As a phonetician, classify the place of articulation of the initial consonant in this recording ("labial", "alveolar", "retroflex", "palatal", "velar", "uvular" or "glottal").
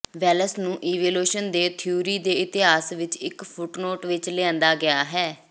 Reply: labial